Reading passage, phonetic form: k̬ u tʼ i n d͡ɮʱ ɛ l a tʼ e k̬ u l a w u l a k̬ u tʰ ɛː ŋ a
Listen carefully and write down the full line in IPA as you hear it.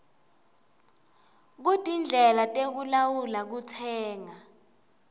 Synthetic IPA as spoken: k̬ u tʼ i n d͡ɮʱ ɛ l a tʼ e k̬ u l a w u l a k̬ u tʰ ɛː ŋ a